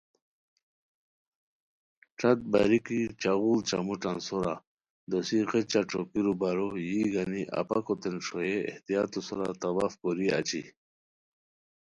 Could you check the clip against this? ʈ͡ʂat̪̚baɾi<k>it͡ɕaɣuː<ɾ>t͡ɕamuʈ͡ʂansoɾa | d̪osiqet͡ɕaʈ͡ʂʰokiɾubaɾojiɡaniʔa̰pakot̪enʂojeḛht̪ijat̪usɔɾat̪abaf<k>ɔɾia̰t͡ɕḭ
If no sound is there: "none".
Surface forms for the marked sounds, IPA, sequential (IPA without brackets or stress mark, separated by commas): k, l, k